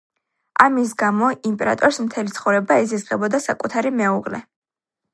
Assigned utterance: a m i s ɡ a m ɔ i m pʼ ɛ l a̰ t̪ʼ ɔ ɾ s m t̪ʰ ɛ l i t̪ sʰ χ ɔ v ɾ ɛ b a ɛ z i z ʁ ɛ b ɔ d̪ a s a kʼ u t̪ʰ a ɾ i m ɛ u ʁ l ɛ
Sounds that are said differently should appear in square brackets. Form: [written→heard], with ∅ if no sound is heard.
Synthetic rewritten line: a m i s ɡ a m ɔ i m pʼ ɛ [l→ɾ] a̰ t̪ʼ ɔ ɾ s m t̪ʰ ɛ l i t̪ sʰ χ ɔ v ɾ ɛ b a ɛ z i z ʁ ɛ b ɔ d̪ a s a kʼ u t̪ʰ a ɾ i m ɛ u ʁ l ɛ